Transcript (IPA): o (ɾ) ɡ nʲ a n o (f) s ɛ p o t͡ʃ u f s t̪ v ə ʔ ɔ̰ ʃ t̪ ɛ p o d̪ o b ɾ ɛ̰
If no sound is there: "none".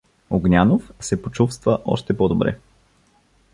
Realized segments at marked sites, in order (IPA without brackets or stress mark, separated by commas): none, f